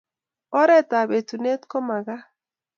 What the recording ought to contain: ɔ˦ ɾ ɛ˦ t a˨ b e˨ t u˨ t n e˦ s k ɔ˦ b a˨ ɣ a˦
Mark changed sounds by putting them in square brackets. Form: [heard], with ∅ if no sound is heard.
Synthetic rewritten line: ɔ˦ ɾ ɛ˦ t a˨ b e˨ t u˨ [∅] n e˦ [t] k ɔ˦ [m] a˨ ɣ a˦